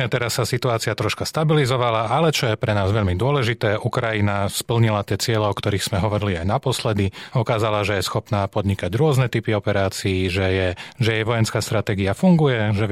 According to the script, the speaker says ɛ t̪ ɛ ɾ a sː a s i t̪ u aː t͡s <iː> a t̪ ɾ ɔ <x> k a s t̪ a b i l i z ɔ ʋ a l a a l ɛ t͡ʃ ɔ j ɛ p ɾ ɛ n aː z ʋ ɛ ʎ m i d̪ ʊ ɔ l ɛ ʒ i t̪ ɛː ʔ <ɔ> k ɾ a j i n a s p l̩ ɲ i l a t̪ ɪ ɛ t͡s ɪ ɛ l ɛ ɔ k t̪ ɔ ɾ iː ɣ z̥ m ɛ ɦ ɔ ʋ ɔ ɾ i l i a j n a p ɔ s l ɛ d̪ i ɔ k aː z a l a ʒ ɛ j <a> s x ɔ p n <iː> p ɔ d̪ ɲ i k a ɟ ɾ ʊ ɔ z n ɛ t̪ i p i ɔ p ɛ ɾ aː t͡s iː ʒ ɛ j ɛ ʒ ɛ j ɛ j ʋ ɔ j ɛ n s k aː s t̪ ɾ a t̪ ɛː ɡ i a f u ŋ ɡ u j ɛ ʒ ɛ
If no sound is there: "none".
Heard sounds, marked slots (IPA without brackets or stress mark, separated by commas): i, ʃ, u, ɛ, aː